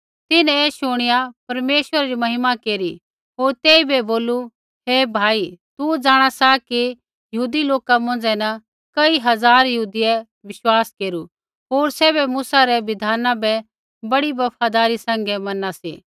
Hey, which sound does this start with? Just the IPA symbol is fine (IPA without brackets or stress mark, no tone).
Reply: t̪